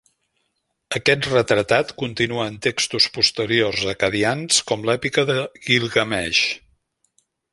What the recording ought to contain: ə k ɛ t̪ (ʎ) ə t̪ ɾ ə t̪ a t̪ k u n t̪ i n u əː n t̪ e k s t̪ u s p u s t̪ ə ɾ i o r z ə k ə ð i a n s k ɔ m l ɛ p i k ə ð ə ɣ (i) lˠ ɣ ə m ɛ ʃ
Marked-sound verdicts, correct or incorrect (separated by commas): incorrect, correct